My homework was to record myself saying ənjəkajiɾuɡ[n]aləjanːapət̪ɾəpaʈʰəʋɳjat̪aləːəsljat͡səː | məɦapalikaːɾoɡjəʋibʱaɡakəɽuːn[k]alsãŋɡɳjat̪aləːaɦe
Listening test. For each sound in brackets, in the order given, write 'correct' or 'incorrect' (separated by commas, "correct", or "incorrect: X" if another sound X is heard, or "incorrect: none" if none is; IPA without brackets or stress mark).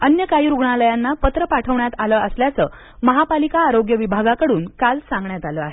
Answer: incorrect: ɳ, correct